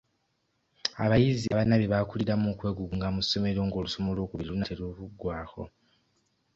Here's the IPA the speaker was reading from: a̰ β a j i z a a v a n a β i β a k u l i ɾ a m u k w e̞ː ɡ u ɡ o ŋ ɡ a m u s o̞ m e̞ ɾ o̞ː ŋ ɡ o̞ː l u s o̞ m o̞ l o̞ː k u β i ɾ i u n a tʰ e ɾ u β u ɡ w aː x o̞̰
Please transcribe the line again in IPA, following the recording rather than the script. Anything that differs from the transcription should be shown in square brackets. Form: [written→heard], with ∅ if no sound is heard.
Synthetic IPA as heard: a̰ β a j i z [a→i] a [v→β] a n a β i β a k u l i ɾ a m u k w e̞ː ɡ u ɡ [o→u] ŋ ɡ a m u s o̞ m e̞ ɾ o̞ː ŋ ɡ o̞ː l u s o̞ m o̞ l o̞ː k u β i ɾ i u n a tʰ e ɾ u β u ɡ w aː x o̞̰